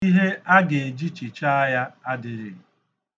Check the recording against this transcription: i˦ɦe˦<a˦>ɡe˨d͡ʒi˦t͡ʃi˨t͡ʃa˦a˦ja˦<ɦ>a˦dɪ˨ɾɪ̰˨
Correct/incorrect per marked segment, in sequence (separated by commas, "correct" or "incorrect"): correct, incorrect